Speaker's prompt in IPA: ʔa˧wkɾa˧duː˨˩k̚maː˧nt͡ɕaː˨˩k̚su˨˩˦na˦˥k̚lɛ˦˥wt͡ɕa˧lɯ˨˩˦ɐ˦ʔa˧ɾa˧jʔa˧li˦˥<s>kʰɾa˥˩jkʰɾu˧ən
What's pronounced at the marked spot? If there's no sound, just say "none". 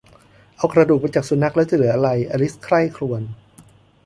s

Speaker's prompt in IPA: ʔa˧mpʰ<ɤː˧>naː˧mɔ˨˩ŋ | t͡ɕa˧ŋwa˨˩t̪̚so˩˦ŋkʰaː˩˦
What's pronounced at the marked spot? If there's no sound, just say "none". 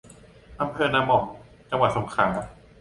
ɤː˧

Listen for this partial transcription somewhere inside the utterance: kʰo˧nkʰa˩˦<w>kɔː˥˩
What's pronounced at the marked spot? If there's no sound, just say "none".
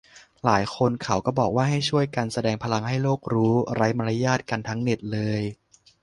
w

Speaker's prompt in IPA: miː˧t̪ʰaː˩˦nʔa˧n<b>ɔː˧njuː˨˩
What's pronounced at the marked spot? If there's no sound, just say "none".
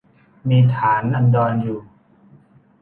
d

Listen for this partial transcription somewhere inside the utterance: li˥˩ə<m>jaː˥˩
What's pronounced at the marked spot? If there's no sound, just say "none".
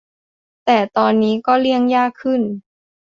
ŋ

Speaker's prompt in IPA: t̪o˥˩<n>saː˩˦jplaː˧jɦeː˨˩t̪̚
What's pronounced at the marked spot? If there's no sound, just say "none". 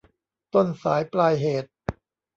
n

